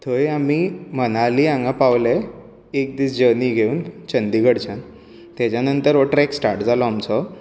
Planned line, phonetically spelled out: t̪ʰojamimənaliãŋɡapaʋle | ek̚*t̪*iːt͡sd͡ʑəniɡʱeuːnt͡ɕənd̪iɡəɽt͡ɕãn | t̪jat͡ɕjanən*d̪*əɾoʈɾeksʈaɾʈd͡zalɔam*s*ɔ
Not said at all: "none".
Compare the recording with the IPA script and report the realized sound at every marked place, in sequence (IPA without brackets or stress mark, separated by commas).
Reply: d̪, t̪, t͡s